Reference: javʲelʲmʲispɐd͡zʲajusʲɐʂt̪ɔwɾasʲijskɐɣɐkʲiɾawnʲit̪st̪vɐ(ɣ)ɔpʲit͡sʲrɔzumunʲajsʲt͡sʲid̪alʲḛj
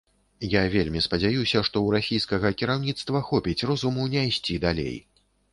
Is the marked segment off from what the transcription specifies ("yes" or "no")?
yes